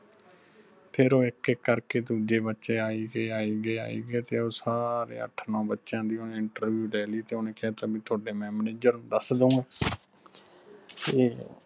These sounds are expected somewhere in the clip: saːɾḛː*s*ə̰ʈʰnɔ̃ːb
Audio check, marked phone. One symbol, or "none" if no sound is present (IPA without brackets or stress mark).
none